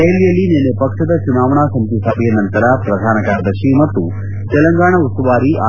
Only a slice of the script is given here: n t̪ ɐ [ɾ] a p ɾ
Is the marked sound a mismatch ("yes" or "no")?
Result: no